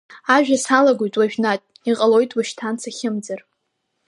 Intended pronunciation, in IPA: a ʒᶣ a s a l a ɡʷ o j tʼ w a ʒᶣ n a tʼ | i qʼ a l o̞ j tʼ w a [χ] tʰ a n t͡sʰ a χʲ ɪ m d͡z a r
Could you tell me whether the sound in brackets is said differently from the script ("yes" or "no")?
yes